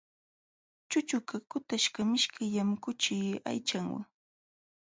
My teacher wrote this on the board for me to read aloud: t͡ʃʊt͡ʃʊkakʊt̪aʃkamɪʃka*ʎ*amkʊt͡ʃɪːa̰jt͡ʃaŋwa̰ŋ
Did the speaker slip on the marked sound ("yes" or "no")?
yes